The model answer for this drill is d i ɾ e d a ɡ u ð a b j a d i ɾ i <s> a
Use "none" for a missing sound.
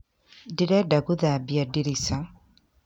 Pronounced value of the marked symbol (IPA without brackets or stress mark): s